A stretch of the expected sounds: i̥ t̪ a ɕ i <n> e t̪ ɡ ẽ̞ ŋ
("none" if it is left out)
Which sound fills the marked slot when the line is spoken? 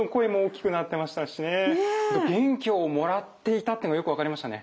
n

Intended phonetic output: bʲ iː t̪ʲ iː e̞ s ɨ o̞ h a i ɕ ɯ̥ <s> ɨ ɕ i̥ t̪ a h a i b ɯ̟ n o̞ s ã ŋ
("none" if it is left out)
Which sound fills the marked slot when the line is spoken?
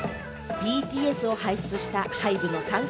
t͡s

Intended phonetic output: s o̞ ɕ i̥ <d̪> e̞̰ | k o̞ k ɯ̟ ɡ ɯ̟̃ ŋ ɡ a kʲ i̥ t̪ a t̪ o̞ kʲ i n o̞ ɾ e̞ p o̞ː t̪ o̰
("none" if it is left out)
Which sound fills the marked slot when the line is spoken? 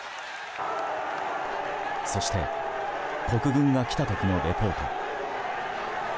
t̪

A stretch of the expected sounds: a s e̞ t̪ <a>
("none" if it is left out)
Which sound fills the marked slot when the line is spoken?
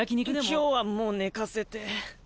e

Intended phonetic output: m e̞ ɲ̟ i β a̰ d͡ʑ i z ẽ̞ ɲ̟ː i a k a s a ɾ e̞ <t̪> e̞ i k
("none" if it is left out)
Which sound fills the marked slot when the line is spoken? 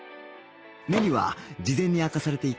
t̪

